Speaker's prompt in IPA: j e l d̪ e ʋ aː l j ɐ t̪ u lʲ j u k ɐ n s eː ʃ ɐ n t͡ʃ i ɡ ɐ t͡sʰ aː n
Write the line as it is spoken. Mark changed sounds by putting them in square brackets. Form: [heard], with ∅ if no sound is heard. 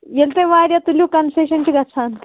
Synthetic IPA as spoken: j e l [t̪] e ʋ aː [ɾ] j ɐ t̪ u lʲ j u k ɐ n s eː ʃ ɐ n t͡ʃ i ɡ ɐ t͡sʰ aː n